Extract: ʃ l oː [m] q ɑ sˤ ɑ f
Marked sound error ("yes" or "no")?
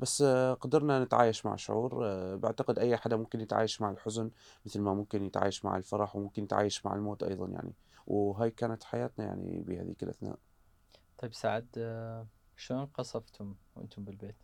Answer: yes